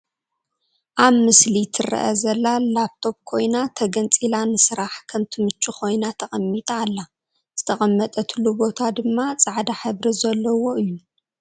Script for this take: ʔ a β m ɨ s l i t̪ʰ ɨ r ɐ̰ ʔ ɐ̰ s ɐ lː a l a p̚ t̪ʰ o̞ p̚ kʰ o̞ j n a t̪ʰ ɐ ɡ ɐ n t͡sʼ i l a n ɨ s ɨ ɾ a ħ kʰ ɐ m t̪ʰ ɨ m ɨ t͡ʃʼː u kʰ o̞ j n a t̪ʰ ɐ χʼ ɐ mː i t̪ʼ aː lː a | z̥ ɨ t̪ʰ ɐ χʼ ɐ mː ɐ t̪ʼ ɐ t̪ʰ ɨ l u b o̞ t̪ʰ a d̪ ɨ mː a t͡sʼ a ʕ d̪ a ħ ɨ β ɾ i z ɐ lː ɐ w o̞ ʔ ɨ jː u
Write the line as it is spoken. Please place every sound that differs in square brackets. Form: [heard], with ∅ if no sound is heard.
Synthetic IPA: ʔ a β m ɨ s l i t̪ʰ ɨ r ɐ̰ ʔ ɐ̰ [z] ɐ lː a l a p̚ t̪ʰ o̞ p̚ kʰ o̞ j n a t̪ʰ ɐ ɡ ɐ n t͡sʼ i l a n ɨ s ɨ ɾ a ħ kʰ ɐ m t̪ʰ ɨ m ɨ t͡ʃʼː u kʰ o̞ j n a t̪ʰ ɐ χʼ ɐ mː i t̪ʼ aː lː a | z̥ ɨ t̪ʰ ɐ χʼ ɐ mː ɐ t̪ʼ ɐ t̪ʰ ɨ l u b o̞ t̪ʰ a d̪ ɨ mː a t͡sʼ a ʕ d̪ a ħ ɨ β ɾ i z ɐ lː ɐ w o̞ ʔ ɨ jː u